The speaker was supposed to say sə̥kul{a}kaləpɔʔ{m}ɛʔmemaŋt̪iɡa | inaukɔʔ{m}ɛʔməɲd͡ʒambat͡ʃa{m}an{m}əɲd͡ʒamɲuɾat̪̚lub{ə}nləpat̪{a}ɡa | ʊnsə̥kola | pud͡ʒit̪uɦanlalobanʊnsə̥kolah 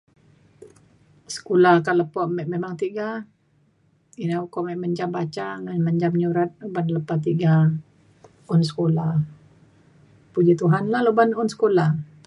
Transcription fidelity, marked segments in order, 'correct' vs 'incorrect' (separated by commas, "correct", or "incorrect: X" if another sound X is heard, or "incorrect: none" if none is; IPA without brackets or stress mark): correct, correct, correct, incorrect: ŋ, correct, incorrect: a, incorrect: i